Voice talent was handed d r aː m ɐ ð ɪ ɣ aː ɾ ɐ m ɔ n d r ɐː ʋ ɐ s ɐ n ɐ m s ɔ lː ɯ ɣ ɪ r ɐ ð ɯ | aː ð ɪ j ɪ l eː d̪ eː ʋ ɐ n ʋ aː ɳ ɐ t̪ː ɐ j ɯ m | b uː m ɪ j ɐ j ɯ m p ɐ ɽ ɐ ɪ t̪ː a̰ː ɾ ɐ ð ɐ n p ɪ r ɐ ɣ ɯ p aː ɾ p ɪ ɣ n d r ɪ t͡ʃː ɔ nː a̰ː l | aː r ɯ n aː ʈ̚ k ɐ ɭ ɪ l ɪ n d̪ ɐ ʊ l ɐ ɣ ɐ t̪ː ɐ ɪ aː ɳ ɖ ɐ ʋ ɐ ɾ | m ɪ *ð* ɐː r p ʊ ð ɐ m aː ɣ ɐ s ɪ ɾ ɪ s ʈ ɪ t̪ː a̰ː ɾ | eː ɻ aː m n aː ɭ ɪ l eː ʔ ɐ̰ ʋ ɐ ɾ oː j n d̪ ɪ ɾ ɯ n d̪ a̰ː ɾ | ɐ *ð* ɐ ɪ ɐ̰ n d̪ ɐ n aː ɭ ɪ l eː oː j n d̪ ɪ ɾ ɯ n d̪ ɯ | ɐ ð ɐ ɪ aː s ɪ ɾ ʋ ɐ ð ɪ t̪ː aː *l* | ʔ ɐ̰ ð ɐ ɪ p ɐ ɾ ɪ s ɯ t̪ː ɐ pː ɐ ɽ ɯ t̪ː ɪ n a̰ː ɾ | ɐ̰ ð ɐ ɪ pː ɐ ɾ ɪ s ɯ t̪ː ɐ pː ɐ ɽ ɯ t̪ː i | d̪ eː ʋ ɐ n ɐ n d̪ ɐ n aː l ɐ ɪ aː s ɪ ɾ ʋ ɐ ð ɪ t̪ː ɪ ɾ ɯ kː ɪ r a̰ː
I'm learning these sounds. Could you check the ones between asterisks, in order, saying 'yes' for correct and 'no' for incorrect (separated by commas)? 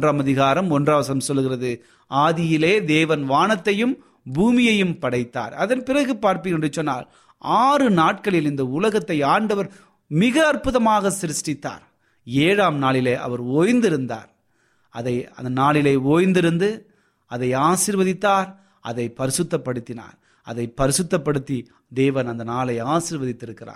no, yes, no